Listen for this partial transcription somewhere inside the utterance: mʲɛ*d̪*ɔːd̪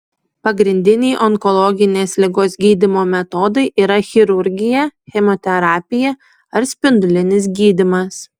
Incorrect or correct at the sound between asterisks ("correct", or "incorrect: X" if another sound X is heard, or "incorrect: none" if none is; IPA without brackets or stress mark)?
incorrect: t̪